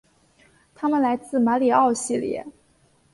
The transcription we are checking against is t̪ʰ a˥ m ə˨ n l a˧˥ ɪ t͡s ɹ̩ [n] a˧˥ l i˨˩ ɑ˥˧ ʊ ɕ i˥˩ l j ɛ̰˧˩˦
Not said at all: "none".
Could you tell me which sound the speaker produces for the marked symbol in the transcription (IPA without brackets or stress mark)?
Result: m